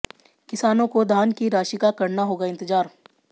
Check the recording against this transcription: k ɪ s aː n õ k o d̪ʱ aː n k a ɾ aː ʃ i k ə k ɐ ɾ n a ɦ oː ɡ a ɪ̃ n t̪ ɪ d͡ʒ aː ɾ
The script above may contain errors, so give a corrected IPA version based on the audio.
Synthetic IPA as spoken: k ɪ s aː n õ k o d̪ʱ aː n k i ɾ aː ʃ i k a k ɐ ɾ n a ɦ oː ɡ a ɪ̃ n t̪ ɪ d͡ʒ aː ɾ

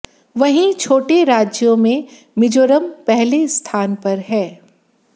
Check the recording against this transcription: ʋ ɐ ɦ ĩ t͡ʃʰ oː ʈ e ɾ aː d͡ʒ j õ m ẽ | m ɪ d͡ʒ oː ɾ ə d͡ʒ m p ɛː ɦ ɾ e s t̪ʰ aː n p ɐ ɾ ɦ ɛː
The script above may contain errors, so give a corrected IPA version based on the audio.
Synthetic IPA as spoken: ʋ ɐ ɦ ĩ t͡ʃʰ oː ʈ e ɾ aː d͡ʒ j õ m ẽ | m ɪ d͡ʒ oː ɾ ə m p ɛ ɦ l e s t̪ʰ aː n p ɐ ɾ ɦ ɛː

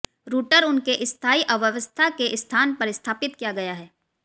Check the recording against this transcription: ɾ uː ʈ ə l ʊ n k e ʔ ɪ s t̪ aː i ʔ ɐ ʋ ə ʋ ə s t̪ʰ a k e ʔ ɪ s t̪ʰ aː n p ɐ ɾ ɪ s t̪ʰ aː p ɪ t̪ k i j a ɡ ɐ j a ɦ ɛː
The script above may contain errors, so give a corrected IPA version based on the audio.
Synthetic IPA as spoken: ɾ uː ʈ ə ɾ ʊ n k e ʔ ɪ s t̪ʰ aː i ʔ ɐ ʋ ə ʋ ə s t̪ʰ a k e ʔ ɪ s t̪ʰ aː n p ɐ ɾ ɪ s t̪ʰ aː p ɪ t̪ k i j a ɡ ɐ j a ɦ ɛː

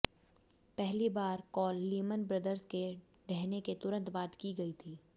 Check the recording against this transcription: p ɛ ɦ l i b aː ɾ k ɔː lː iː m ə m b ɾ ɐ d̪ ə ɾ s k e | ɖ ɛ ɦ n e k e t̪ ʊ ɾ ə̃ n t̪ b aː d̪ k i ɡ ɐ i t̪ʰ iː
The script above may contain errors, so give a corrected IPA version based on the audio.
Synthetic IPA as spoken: p ɛ ɦ l i b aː ɾ k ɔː lː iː m ə n b ɾ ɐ d̪ ə ɾ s k e | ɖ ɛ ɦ n e k e t̪ ʊ ɾ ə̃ n t̪ b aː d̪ k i ɡ ɐ i t̪ʰ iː

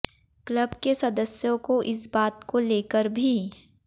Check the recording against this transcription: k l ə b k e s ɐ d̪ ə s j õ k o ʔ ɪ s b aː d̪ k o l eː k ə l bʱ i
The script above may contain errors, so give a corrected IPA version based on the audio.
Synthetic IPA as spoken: k l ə b k e s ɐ d̪ ə s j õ k o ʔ ɪ s b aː t̪ k o l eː k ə ɾ bʱ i

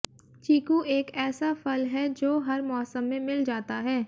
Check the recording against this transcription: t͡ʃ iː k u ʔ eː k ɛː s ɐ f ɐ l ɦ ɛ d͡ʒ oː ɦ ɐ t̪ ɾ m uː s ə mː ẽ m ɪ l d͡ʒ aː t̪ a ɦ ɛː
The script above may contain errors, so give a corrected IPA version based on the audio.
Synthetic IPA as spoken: t͡ʃ iː k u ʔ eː k ɛː s a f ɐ l ɦ ɛ d͡ʒ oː ɦ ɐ ɾ m ɔː s ə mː ẽ m ɪ l d͡ʒ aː t̪ a ɦ ɛː

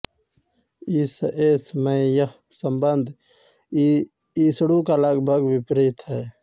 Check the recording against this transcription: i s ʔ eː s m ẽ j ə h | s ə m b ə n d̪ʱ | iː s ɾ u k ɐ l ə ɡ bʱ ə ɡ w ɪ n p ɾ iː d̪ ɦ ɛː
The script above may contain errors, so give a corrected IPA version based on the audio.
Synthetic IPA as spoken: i s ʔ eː s m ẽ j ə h | s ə m b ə n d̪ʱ | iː s ɽ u k a l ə ɡ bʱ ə ɡ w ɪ p ɾ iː t̪ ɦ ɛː

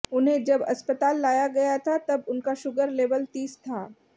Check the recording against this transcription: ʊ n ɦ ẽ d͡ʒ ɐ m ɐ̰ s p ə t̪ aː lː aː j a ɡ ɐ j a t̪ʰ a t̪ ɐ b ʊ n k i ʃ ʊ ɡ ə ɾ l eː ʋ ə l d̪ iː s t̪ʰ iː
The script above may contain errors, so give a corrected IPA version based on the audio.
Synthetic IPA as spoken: ʊ n ɦ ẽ d͡ʒ ɐ b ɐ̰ s p ə t̪ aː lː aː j a ɡ ɐ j a t̪ʰ a t̪ ɐ b ʊ n k a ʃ ʊ ɡ ə ɾ l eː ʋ ə l t̪ iː s t̪ʰ aː

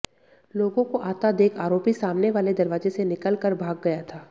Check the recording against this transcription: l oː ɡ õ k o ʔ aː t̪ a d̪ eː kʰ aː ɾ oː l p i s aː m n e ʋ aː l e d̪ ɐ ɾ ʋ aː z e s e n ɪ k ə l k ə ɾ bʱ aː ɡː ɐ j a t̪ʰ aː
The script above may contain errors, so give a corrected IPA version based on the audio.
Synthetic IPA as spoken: l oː ɡ õ k o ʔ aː t̪ a d̪ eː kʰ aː ɾ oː p i s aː m n e ʋ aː l e d̪ ɐ ɾ ʋ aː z e s e n ɪ k ə l k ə ɾ bʱ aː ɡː ɐ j a t̪ʰ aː

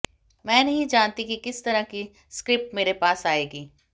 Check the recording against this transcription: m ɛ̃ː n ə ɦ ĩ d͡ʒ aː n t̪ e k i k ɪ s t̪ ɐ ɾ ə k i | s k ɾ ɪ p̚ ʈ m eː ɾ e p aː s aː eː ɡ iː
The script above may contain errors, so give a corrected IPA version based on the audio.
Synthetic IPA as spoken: m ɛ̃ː n ɐ ɦ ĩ d͡ʒ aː n t̪ i k i k ɪ s t̪ ɐ ɾ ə k i | s k ɾ ɪ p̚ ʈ m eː ɾ e p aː s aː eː ɡ iː

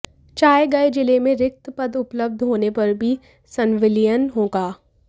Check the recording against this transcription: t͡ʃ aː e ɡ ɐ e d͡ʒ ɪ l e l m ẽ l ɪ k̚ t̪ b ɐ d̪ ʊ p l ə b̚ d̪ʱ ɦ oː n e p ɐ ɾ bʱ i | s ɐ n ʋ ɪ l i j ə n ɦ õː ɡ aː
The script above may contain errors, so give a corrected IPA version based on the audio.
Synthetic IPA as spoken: t͡ʃ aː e ɡ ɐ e d͡ʒ ɪ l e m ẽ ɾ ɪ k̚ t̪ p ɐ d̪ ʊ p l ə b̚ d̪ʱ ɦ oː n e p ɐ ɾ bʱ i | s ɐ n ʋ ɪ l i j ə n ɦ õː ɡ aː

